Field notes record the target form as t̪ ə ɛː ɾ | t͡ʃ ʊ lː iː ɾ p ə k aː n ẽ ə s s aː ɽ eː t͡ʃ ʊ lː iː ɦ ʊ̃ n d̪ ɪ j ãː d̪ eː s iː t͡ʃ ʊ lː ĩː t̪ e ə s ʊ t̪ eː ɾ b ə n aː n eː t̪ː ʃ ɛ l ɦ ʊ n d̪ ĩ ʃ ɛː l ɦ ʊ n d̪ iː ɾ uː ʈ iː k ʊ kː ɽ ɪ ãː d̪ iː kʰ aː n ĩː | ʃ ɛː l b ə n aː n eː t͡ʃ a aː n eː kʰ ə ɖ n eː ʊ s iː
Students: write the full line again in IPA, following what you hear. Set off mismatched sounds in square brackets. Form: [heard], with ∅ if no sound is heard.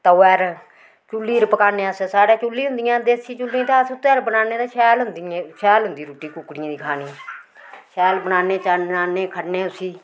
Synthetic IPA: t̪ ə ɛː ɾ | t͡ʃ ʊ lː iː ɾ p ə k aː n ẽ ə s s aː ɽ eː t͡ʃ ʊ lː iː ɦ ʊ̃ n d̪ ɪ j ãː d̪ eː s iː t͡ʃ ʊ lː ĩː t̪ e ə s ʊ t̪ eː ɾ b ə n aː n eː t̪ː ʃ [ɛː] l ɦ ʊ n d̪ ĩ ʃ ɛː l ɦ ʊ n d̪ iː ɾ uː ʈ iː k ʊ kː ɽ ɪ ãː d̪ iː kʰ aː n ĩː | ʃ ɛː l b ə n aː n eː t͡ʃ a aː n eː kʰ ə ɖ n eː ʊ s iː